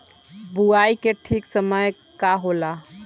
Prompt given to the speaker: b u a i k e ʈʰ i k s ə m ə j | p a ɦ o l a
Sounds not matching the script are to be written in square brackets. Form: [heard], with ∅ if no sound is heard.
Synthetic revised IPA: b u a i k e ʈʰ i k s ə m ə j | [k] a ɦ o l a